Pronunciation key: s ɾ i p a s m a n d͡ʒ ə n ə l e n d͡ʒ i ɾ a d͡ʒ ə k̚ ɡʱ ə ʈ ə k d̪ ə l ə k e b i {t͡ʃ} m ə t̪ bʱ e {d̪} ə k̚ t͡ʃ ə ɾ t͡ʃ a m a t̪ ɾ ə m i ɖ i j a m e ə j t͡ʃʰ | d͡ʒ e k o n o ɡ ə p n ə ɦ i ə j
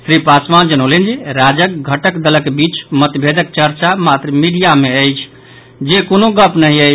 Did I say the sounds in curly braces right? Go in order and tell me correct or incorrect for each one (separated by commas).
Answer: correct, correct